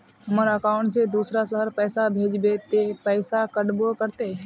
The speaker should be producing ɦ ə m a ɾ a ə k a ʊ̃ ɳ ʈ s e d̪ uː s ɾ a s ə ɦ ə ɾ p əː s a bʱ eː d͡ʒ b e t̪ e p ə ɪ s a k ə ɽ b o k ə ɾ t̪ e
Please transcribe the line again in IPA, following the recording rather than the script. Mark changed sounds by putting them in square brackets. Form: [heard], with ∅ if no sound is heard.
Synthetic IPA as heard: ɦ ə m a ɾ a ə k a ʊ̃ ɳ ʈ s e d̪ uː s ɾ a s ə ɦ ə ɾ p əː s a bʱ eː d͡ʒ b e t̪ e p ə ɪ s a k ə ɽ b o k ə ɾ t̪ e